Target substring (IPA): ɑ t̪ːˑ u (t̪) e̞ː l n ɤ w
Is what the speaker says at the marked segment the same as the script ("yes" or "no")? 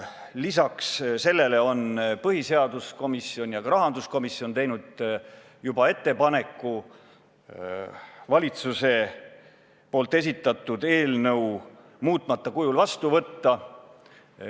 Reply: no